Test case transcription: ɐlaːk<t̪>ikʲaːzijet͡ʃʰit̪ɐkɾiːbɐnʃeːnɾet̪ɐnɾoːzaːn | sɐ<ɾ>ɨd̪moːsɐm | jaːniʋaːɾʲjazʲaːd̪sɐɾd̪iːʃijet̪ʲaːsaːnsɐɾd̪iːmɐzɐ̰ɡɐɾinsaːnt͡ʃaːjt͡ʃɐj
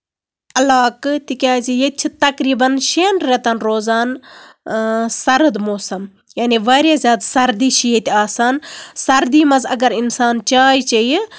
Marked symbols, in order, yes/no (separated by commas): yes, yes